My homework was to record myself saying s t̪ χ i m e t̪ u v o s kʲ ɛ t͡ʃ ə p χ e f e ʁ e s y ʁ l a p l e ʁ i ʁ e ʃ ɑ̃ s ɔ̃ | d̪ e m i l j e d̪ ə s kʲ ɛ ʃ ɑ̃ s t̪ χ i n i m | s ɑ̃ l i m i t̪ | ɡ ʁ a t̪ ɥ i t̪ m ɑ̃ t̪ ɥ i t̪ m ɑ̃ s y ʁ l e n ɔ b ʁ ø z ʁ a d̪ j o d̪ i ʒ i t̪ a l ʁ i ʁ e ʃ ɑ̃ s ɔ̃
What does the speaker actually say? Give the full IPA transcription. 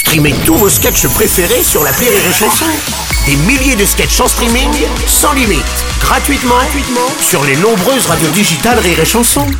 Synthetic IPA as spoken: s t̪ χ i m e t̪ u v o s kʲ ɛ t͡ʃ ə p χ e f e ʁ e s y ʁ l a p l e ʁ i ʁ e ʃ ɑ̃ s ɔ̃ | d̪ e m i l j e d̪ ə s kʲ ɛ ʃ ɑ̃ s t̪ χ i m i ŋ | s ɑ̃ l i m i t̪ | ɡ ʁ a t̪ ɥ i t̪ m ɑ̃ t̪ ɥ i t̪ m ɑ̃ s y ʁ l e n ɔ̃ b ʁ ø z ʁ a d̪ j o d̪ i ʒ i t̪ a l ʁ i ʁ e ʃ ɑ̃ s ɔ̃